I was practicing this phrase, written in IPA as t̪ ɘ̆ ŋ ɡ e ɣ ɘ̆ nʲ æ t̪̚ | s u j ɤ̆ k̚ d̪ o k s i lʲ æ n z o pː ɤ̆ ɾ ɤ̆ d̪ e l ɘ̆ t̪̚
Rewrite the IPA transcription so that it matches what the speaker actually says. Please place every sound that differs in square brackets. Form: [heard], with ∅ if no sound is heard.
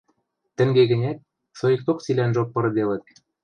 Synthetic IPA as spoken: t̪ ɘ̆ ŋ ɡ e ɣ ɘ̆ nʲ æ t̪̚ | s [o] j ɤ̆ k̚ [t̪] o k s i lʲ æ n [ʒ] o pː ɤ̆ ɾ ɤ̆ d̪ e l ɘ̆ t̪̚